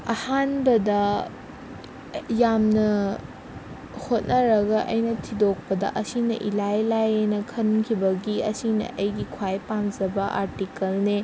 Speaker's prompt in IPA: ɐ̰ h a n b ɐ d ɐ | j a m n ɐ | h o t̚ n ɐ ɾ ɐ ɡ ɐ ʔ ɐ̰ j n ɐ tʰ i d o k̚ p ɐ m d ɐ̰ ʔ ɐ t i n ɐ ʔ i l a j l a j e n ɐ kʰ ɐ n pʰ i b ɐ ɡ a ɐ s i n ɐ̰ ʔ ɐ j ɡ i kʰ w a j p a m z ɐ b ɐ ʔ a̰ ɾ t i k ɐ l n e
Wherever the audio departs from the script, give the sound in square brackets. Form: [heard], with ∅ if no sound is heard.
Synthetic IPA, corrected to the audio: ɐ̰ h a n b ɐ d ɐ | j a m n ɐ | h o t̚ n ɐ ɾ ɐ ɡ ɐ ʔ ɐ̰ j n ɐ tʰ i d o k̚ p ɐ [∅] d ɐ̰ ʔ ɐ [s] i n ɐ ʔ i l a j l a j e n ɐ kʰ ɐ n [kʰ] i b ɐ ɡ [i] ɐ s i n ɐ̰ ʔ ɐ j ɡ i kʰ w a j p a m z ɐ b ɐ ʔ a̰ ɾ t i k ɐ l n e